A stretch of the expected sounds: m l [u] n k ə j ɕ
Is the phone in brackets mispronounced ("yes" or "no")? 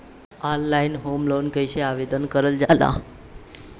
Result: yes